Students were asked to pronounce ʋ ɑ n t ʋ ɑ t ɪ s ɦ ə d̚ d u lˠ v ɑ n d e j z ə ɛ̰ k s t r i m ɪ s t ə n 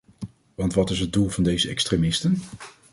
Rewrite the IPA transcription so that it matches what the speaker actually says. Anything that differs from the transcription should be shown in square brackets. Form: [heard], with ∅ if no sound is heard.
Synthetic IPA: ʋ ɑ n t ʋ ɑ t ɪ s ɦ ə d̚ d u lˠ v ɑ n d e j z ə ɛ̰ k s t r [e] m ɪ s t ə n